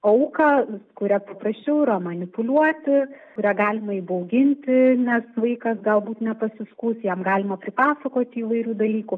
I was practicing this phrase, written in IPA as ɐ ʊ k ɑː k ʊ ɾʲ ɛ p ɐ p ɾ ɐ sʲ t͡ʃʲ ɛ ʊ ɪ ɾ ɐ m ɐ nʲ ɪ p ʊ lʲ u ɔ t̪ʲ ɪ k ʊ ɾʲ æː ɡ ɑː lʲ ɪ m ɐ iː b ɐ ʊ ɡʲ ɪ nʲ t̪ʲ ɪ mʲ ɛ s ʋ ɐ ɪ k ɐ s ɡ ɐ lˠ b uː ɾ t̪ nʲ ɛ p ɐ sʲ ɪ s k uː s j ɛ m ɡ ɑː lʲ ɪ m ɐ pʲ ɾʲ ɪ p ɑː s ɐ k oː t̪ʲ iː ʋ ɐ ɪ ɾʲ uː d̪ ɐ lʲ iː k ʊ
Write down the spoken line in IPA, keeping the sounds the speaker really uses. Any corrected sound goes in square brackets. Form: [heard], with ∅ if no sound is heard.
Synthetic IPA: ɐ ʊ k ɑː k ʊ ɾʲ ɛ p ɐ p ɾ ɐ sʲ t͡ʃʲ ɛ ʊ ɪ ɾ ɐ m ɐ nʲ ɪ p ʊ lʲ u ɔ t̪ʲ ɪ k ʊ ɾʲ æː ɡ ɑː lʲ ɪ m ɐ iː b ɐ ʊ ɡʲ ɪ nʲ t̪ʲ ɪ [nʲ] ɛ s ʋ ɐ ɪ k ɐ s ɡ ɐ lˠ b uː [∅] t̪ nʲ ɛ p ɐ sʲ ɪ s k uː s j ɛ m ɡ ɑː lʲ ɪ m ɐ pʲ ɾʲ ɪ p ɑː s ɐ k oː t̪ʲ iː ʋ ɐ ɪ ɾʲ uː d̪ ɐ lʲ iː k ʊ

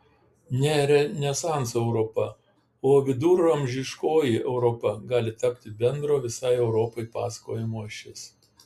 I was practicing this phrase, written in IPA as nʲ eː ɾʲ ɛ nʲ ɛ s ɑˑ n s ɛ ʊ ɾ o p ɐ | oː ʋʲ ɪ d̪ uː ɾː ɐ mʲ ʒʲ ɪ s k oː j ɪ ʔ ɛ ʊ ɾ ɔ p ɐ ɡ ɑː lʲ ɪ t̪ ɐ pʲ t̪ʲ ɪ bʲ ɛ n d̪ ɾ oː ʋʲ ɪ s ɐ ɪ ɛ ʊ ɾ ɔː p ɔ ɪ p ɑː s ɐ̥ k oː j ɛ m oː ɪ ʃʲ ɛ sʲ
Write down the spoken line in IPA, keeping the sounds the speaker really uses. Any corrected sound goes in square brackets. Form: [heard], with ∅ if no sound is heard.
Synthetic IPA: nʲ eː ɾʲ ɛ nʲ ɛ s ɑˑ n s ɛ ʊ ɾ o p ɐ | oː ʋʲ ɪ d̪ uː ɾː ɐ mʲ ʒʲ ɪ [ʃ] k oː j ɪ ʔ ɛ ʊ ɾ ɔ p ɐ ɡ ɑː lʲ ɪ t̪ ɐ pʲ t̪ʲ ɪ bʲ ɛ n d̪ ɾ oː ʋʲ ɪ s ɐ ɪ ɛ ʊ ɾ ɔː p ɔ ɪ p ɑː s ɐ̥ k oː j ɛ m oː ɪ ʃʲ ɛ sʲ

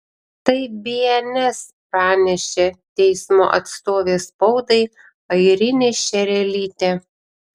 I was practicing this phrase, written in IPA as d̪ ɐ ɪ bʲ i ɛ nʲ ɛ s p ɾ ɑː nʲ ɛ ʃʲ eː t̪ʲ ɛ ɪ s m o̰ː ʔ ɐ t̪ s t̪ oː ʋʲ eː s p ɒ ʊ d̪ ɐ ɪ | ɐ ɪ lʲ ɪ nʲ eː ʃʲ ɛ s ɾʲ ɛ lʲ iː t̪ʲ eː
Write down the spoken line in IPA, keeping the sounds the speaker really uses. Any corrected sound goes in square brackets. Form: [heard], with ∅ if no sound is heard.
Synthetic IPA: [t̪] ɐ ɪ bʲ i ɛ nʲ ɛ s p ɾ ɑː nʲ ɛ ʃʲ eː t̪ʲ ɛ ɪ s m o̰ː ʔ ɐ t̪ s t̪ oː ʋʲ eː s p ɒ ʊ d̪ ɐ ɪ | ɐ ɪ [ɾʲ] ɪ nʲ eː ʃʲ ɛ [∅] ɾʲ ɛ lʲ iː t̪ʲ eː

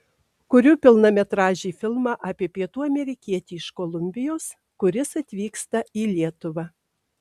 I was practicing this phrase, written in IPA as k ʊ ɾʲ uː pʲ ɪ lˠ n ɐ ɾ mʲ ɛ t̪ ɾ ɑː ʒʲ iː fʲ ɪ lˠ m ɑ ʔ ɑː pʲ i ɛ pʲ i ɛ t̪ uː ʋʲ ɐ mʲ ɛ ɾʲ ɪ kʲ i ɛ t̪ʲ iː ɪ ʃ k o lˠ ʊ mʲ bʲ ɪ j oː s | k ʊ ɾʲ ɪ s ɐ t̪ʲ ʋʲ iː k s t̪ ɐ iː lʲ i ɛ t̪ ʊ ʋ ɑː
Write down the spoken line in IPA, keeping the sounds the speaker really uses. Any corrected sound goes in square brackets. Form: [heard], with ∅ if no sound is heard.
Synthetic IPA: k ʊ ɾʲ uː pʲ ɪ lˠ n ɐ [∅] mʲ ɛ t̪ ɾ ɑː ʒʲ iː fʲ ɪ lˠ m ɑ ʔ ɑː pʲ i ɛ pʲ i ɛ t̪ uː [∅] ɐ mʲ ɛ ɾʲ ɪ kʲ i ɛ t̪ʲ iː ɪ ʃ k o lˠ ʊ mʲ bʲ ɪ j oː s | k ʊ ɾʲ ɪ s ɐ t̪ʲ ʋʲ iː k s t̪ ɐ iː lʲ i ɛ t̪ ʊ ʋ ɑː

